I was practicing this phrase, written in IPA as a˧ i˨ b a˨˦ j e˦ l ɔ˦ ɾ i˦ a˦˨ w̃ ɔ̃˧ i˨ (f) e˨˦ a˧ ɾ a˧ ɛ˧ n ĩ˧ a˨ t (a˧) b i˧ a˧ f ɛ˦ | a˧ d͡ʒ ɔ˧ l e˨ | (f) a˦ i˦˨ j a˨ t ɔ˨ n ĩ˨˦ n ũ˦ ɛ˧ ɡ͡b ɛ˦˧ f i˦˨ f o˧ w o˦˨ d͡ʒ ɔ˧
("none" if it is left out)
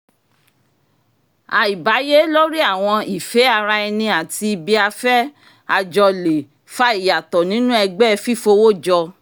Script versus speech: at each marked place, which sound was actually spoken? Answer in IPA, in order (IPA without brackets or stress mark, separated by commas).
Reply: f, i˧, f